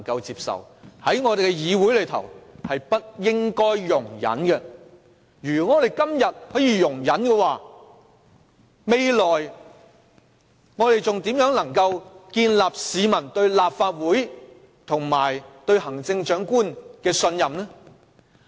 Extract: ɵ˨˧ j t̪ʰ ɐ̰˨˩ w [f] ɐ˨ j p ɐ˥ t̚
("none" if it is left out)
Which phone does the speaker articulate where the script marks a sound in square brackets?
h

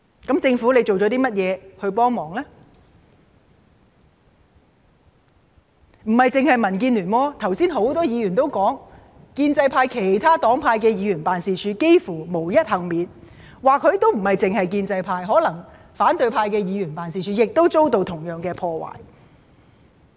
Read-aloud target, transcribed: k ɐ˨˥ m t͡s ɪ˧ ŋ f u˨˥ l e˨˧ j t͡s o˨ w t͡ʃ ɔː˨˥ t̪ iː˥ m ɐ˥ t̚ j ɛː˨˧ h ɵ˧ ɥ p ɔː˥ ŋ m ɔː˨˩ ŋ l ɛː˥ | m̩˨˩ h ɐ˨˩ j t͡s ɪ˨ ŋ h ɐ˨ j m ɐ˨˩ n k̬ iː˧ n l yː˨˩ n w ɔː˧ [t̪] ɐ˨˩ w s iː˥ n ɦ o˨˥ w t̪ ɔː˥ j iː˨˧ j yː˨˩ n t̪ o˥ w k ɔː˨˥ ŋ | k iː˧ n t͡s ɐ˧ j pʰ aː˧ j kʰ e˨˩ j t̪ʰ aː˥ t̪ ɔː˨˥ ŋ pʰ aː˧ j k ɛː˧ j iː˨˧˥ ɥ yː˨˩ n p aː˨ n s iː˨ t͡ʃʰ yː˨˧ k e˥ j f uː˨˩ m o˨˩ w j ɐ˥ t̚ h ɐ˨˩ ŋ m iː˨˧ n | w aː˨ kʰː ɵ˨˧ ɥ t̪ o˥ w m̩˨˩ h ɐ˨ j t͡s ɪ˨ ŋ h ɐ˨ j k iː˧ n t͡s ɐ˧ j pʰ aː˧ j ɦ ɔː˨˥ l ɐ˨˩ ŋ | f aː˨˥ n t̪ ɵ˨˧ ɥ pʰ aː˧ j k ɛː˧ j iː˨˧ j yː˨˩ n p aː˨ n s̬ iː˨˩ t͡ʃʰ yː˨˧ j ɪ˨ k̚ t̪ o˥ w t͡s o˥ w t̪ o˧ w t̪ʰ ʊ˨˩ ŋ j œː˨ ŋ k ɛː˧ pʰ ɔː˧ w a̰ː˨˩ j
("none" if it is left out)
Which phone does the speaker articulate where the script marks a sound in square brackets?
t̪ʰ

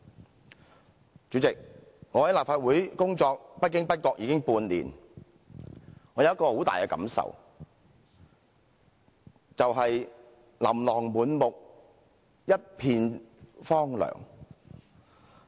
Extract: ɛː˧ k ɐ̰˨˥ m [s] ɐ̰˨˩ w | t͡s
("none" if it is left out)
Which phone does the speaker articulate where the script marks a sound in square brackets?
s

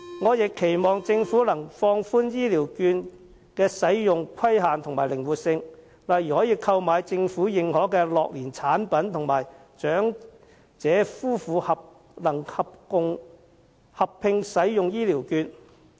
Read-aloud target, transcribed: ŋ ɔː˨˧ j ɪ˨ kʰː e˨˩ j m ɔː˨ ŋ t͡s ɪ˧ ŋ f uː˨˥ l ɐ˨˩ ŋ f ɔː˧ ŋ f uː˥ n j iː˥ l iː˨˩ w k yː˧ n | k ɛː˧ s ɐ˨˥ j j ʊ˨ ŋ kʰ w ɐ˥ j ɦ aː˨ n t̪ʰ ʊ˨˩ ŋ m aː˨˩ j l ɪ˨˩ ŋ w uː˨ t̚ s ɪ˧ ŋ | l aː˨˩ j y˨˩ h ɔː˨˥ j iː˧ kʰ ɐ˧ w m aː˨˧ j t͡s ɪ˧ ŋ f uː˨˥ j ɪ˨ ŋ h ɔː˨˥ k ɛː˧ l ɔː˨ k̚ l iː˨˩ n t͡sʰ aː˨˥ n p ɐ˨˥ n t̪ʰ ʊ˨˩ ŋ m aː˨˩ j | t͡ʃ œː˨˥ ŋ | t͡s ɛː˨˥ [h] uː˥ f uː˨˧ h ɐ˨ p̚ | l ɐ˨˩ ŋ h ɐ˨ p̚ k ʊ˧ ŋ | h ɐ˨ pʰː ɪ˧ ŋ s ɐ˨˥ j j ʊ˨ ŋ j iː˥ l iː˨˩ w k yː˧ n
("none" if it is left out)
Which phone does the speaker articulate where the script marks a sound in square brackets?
f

